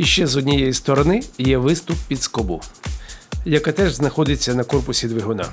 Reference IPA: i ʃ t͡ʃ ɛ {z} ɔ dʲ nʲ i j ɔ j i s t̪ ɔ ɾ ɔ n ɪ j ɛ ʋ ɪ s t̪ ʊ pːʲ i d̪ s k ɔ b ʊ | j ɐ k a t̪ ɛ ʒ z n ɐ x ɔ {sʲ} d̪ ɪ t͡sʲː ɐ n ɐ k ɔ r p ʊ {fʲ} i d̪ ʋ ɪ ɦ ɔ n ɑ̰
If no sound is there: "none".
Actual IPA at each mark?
z, none, sʲ

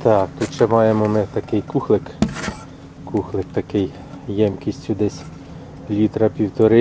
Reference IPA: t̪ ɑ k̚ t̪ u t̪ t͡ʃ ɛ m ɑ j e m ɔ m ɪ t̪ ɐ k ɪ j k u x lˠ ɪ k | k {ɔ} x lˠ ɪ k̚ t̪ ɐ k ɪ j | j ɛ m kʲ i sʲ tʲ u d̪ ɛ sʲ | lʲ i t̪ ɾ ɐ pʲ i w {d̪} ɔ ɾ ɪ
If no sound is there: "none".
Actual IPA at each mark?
u, t̪

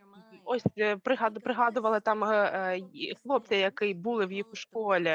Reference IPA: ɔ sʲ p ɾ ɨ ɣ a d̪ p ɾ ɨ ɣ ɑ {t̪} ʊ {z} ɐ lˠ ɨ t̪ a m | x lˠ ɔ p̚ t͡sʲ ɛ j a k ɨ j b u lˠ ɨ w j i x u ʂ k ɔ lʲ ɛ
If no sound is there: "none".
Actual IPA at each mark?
d̪, v

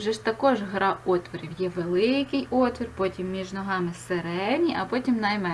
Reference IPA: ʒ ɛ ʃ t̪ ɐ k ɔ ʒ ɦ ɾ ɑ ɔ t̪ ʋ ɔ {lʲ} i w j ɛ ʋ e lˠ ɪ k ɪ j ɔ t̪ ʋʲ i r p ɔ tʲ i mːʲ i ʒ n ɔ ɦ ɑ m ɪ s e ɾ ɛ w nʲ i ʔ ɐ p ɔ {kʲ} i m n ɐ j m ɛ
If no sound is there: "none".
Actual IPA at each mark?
ɾʲ, tʲ

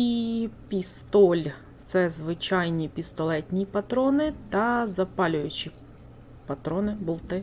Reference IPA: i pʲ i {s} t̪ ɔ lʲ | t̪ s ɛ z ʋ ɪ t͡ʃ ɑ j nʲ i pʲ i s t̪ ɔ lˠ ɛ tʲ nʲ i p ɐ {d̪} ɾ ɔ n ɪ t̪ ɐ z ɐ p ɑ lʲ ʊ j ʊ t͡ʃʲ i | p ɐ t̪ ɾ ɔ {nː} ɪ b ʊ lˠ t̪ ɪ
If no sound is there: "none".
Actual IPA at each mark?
s, t̪, n

